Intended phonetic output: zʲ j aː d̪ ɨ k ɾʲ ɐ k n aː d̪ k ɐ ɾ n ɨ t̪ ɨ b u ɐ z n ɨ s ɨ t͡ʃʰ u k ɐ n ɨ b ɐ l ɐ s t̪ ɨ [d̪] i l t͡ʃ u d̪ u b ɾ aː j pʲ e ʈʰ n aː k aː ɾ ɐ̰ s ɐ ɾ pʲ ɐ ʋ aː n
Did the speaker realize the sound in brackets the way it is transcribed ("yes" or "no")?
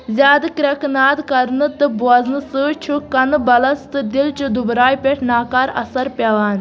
yes